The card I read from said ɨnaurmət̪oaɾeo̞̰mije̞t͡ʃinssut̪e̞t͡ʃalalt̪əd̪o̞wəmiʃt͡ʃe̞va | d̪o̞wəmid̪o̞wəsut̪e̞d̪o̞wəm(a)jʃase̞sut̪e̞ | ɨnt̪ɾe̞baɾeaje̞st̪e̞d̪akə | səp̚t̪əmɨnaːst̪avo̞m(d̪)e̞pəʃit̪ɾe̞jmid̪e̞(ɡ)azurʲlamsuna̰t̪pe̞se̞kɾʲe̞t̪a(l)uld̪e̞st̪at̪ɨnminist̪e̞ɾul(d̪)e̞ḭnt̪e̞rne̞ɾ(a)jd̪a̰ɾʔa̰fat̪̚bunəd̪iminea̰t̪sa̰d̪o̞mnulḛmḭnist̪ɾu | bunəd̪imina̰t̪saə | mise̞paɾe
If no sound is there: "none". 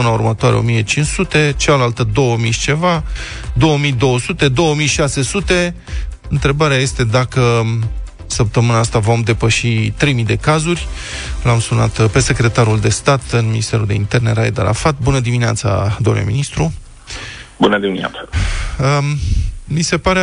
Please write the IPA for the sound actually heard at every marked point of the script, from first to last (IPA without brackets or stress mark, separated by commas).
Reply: i, d̪, k, ɾ, d̪, a